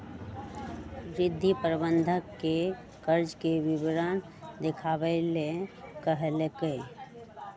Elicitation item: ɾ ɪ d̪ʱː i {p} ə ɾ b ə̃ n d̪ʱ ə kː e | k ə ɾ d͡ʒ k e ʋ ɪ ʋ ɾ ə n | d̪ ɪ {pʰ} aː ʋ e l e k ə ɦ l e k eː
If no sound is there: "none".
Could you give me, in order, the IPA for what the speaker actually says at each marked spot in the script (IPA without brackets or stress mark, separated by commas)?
p, kʰ